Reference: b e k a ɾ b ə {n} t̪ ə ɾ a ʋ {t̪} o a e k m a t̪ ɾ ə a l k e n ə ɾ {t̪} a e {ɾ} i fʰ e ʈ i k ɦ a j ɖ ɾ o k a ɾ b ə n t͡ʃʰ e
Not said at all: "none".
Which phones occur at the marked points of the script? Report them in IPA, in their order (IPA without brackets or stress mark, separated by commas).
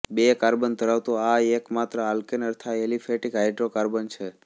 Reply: n, t̪, t̪ʰ, l